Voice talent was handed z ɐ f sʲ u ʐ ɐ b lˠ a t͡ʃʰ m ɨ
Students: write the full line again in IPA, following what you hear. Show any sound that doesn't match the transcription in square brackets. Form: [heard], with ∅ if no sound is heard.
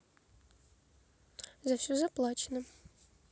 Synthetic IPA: z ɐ f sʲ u [z] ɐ [p] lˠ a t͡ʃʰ [n] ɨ